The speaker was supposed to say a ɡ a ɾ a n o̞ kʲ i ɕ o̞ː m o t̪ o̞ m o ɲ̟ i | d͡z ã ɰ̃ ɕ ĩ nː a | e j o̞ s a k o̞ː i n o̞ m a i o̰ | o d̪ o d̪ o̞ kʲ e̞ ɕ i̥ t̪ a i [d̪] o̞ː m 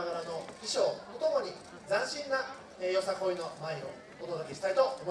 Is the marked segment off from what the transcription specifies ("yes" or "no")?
yes